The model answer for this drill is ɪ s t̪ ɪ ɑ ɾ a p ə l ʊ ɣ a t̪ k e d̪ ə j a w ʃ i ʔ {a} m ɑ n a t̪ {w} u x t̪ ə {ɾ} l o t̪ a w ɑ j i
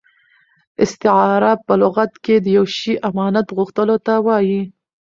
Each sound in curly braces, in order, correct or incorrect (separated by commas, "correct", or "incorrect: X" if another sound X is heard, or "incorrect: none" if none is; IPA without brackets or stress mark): correct, incorrect: ɣ, incorrect: none